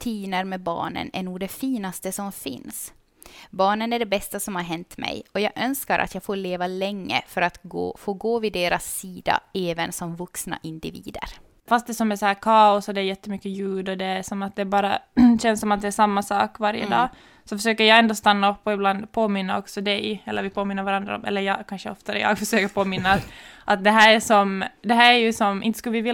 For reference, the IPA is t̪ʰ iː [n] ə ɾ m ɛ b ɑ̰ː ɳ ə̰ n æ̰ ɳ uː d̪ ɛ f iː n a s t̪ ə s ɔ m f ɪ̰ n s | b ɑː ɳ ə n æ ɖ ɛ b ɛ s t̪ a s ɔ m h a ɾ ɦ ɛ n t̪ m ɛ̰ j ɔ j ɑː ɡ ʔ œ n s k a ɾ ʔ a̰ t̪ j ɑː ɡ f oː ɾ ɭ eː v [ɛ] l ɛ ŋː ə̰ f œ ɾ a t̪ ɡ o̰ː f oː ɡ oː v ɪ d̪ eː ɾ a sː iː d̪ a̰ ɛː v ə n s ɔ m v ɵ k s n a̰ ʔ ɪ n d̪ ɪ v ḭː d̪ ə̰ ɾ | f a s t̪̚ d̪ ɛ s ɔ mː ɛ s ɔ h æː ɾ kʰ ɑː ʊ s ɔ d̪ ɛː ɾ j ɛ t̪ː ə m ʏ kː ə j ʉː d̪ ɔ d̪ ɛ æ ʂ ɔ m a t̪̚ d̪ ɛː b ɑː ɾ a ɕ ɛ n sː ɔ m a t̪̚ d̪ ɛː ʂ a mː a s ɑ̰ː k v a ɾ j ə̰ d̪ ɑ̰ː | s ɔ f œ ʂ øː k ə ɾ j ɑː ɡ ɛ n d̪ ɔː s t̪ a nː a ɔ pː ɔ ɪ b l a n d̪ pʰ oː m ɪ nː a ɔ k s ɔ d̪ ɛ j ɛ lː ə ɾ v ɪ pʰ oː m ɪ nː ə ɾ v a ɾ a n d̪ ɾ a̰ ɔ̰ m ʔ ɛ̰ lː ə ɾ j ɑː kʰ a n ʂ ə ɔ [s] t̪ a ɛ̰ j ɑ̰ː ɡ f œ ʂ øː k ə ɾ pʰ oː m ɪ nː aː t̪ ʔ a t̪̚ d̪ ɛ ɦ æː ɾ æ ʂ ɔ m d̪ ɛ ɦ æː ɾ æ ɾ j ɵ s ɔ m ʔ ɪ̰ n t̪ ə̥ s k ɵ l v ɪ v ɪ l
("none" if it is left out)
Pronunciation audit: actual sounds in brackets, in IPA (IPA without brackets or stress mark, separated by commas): n, a, f